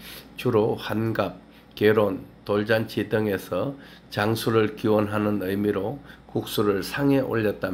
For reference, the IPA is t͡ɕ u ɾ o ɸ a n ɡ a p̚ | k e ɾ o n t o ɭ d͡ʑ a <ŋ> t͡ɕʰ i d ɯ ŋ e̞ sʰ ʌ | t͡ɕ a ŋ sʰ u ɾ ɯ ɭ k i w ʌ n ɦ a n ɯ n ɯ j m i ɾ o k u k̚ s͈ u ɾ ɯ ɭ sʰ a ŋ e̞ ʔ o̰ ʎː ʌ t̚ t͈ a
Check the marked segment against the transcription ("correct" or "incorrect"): incorrect